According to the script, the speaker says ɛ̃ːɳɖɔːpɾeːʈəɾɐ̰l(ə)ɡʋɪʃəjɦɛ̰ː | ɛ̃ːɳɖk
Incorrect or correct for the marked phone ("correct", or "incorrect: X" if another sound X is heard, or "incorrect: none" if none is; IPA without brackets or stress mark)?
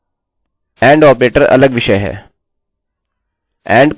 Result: correct